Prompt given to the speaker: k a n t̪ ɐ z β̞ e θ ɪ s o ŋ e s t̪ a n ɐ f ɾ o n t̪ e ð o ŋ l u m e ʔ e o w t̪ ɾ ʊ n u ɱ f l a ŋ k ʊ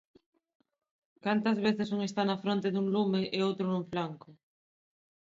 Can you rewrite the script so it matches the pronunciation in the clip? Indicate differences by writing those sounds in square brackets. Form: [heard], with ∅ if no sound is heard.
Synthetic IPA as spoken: k a n t̪ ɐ z β̞ e θ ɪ s [u] ŋ e s t̪ a n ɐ f ɾ o n t̪ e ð [u] ŋ l u m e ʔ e o w t̪ ɾ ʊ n u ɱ f l a ŋ k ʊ